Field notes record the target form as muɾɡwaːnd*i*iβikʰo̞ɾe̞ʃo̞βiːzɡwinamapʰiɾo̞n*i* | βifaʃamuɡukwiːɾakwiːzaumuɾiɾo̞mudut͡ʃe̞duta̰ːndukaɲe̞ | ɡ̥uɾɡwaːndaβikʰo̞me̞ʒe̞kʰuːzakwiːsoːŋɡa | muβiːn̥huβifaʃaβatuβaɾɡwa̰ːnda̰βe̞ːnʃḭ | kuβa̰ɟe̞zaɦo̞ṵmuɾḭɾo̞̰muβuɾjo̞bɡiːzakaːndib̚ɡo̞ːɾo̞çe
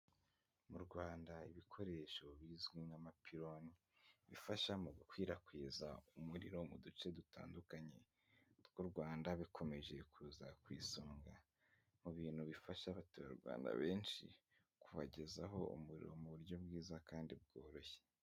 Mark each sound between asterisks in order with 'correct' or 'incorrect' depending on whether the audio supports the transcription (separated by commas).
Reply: incorrect, correct